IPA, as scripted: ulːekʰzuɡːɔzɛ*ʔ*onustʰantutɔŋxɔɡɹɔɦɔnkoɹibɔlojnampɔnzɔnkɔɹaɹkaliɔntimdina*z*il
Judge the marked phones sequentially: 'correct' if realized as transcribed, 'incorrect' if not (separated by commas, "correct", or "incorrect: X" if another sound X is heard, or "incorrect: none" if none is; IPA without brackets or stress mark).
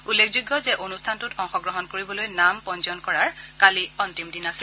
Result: correct, incorrect: s